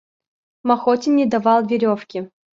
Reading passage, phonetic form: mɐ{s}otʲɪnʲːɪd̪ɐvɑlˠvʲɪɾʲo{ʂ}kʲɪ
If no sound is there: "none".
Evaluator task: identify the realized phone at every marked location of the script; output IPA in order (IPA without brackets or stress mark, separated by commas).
x, f